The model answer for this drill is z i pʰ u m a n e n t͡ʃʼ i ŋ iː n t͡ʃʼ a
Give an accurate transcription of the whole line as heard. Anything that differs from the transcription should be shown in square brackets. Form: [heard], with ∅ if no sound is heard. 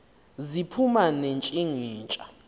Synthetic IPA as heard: z i pʰ u m a n e n t͡ʃʼ i ŋ iː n t͡ʃʼ a